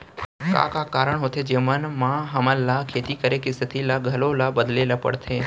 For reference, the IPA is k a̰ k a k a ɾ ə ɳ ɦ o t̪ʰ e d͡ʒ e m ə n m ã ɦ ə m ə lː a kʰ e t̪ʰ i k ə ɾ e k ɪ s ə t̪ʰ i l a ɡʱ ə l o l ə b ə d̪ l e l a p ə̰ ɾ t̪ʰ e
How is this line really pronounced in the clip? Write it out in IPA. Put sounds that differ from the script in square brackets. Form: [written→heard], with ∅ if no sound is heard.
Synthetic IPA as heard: k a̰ k a k a ɾ ə ɳ ɦ o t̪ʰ e d͡ʒ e m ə n m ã ɦ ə m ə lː a kʰ e [t̪ʰ→t̪] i k ə ɾ e k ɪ s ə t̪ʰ i l a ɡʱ ə l o l [ə→a] b ə d̪ l e l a p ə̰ [ɾ→ɽ] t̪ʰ e